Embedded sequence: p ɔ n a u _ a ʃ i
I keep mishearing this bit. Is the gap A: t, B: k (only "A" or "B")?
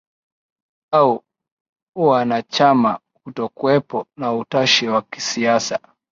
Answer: A